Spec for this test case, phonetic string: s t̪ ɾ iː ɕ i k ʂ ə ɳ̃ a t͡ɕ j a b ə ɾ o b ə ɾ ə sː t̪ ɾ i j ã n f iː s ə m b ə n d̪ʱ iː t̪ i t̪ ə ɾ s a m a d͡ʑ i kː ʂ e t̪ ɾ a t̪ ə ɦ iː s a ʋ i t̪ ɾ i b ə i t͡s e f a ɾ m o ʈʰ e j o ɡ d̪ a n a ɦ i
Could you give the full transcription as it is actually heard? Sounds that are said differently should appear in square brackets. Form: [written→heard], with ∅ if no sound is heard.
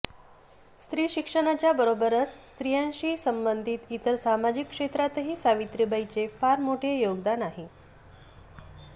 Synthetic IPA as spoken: s t̪ ɾ iː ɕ i k ʂ ə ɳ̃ a t͡ɕ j a b ə ɾ o b ə ɾ ə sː t̪ ɾ i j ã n [f→ɕ] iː s ə m b ə n d̪ʱ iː t̪ i t̪ ə ɾ s a m a d͡ʑ i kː ʂ e t̪ ɾ a t̪ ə ɦ iː s a ʋ i t̪ ɾ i b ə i t͡s e f a ɾ m o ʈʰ e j o ɡ d̪ a n a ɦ i